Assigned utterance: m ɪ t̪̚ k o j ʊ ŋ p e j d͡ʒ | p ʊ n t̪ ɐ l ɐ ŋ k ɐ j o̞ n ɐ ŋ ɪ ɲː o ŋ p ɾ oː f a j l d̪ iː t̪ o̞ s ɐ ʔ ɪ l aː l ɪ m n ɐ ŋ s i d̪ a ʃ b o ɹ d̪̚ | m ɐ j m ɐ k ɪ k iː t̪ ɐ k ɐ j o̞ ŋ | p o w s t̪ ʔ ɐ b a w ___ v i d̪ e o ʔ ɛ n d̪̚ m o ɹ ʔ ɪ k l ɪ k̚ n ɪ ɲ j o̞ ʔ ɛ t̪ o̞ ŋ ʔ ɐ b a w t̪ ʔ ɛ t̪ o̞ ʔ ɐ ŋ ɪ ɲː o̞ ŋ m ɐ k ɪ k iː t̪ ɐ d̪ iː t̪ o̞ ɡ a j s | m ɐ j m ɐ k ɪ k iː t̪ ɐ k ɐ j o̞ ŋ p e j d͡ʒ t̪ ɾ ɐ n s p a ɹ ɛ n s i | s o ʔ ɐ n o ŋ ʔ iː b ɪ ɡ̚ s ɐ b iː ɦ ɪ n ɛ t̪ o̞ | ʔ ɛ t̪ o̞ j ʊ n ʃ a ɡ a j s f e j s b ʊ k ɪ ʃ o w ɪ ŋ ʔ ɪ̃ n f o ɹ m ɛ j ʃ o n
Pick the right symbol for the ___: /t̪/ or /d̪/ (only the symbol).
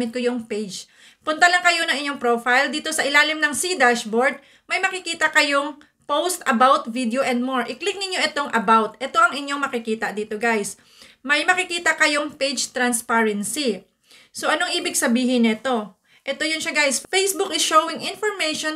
t̪